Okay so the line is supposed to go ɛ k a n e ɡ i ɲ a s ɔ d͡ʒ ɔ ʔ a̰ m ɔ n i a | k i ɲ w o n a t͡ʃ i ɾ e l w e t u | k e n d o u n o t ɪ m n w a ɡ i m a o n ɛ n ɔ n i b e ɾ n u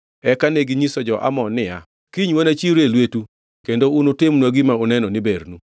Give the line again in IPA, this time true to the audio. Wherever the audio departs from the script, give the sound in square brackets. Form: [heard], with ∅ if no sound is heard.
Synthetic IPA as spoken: ɛ k a n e ɡ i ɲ [i] s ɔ d͡ʒ ɔ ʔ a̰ m ɔ n [ɪ] a | k i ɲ w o n a t͡ʃ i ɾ e l w e t u | k e n d o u n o t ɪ m n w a ɡ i m a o n ɛ n ɔ n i b e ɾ n u